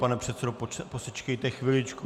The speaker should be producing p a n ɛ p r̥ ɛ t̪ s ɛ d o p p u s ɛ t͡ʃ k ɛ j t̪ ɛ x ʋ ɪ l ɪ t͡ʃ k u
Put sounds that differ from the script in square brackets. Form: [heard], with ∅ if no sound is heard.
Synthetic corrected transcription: p a n ɛ p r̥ ɛ t̪ s ɛ d o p p [o] s ɛ t͡ʃ k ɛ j t̪ ɛ x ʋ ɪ l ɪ t͡ʃ k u